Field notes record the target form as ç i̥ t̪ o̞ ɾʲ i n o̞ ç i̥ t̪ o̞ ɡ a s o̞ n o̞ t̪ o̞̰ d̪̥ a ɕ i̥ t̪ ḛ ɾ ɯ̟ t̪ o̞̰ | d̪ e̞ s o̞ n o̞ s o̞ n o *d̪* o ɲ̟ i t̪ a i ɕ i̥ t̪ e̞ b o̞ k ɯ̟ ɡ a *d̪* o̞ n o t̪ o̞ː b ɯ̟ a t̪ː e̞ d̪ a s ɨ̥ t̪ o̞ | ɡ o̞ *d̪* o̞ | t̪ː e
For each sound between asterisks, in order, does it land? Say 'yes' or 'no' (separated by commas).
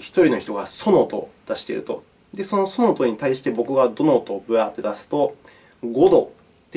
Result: no, yes, yes